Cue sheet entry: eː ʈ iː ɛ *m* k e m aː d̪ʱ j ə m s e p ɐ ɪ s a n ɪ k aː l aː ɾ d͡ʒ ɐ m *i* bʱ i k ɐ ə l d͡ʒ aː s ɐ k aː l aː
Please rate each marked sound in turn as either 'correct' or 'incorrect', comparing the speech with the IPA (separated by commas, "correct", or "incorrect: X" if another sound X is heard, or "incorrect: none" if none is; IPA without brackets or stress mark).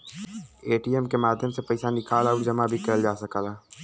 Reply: correct, incorrect: a